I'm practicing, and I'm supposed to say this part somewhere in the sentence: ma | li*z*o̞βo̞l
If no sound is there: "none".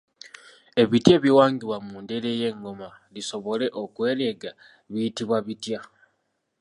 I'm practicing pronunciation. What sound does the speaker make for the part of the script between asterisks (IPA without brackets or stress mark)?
s